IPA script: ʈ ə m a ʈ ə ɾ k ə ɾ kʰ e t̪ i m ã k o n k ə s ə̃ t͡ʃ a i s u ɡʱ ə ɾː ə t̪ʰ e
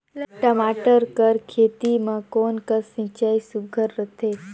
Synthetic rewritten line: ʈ ə m a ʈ ə ɾ k ə ɾ kʰ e t̪ i m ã k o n k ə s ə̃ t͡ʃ a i s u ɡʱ ə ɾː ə t̪ʰ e